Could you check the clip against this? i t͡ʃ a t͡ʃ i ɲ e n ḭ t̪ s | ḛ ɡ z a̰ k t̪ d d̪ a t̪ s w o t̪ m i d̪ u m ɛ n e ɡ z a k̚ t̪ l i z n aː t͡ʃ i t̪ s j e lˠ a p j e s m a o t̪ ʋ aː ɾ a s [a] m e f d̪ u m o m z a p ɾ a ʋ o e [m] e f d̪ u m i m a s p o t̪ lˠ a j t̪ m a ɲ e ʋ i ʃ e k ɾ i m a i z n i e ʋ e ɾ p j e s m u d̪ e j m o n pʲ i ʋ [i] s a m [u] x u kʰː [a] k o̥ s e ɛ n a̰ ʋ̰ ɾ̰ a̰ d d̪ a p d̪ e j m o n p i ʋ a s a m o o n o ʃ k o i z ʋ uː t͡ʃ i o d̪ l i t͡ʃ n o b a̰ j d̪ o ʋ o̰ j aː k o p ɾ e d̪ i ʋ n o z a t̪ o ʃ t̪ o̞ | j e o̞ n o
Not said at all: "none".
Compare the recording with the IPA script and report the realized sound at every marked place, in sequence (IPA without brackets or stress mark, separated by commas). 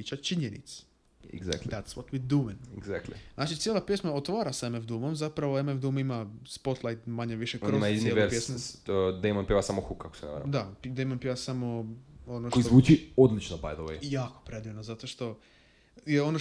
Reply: e, m, a, o, a